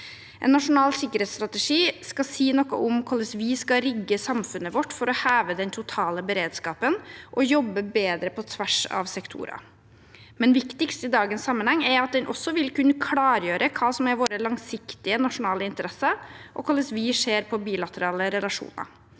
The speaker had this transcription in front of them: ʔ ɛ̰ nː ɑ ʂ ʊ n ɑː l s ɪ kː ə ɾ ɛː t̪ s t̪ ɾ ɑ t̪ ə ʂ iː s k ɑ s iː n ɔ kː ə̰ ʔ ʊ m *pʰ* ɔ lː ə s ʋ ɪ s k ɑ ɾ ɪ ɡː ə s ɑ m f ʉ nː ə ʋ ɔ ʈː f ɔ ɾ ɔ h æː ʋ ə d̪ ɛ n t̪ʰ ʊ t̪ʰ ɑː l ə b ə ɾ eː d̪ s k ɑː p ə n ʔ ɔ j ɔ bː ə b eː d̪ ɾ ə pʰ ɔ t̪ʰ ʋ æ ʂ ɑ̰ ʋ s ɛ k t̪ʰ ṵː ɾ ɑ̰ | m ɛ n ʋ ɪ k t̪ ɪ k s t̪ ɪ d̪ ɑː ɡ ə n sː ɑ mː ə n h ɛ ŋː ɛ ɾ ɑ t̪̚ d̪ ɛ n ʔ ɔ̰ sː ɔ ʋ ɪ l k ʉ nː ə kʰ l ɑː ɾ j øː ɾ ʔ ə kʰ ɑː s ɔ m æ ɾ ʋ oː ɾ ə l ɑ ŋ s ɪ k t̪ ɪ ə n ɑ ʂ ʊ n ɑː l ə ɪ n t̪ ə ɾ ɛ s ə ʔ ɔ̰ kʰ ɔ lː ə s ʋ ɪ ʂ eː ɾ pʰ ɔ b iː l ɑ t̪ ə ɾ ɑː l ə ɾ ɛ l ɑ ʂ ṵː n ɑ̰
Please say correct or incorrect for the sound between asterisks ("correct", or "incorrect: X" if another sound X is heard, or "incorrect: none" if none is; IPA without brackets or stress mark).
incorrect: kʰ